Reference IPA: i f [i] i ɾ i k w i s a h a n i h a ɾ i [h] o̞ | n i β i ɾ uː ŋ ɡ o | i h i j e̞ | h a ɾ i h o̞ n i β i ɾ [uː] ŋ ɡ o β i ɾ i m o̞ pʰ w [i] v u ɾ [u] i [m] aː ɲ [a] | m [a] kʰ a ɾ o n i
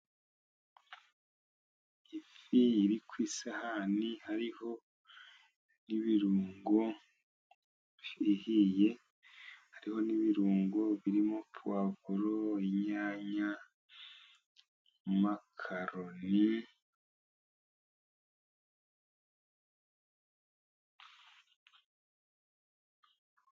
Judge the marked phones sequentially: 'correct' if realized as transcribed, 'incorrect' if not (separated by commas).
correct, correct, correct, incorrect, incorrect, incorrect, correct, correct